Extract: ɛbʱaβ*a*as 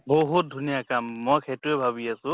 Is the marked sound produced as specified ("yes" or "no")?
no